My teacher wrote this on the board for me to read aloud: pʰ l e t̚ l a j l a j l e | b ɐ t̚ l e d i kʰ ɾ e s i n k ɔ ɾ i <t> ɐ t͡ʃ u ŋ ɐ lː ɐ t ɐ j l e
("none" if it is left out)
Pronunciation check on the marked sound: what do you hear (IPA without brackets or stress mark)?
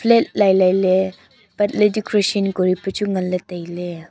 p